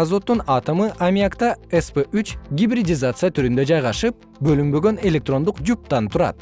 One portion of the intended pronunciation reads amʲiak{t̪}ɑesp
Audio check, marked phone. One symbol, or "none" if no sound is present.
t̪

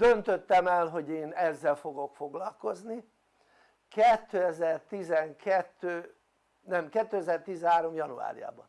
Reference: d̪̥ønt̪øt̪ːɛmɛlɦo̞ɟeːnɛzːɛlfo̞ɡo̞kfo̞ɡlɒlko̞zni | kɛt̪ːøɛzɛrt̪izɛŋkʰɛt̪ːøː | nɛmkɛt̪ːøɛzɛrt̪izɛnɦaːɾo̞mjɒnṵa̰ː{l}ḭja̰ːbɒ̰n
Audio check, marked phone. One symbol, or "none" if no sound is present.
ɾ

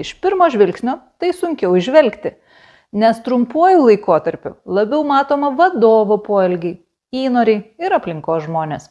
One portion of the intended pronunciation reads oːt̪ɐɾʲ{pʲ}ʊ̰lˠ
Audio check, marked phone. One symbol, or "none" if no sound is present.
pʲ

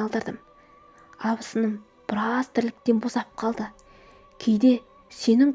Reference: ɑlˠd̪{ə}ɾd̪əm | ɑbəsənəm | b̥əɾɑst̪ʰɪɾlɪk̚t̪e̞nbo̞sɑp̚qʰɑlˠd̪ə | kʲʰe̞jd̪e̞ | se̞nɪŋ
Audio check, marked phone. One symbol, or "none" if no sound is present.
ə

